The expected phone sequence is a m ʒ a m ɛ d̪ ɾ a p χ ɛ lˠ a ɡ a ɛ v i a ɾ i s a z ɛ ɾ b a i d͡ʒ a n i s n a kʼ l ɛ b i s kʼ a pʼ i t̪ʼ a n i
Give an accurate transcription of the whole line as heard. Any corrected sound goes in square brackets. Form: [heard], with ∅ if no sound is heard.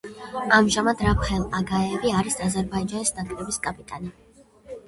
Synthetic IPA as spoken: a m ʒ a m [a] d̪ ɾ a p χ ɛ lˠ a ɡ a ɛ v i a ɾ i s a z ɛ ɾ b a i d͡ʒ a n i s n a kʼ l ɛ b i s kʼ a pʼ i t̪ʼ a n i